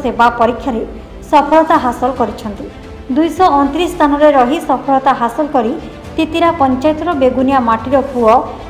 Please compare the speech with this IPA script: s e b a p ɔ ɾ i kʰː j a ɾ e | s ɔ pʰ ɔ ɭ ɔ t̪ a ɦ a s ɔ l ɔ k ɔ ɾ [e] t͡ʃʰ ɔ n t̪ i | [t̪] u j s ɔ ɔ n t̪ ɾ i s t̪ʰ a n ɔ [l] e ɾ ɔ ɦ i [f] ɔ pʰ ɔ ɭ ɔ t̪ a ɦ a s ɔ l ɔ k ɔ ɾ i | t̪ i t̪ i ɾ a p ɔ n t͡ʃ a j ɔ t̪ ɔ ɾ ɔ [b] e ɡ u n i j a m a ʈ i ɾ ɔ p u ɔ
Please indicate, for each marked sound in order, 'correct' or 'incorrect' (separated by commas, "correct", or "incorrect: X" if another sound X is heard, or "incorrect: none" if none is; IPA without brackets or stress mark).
incorrect: i, incorrect: d̪, incorrect: ɾ, incorrect: s, correct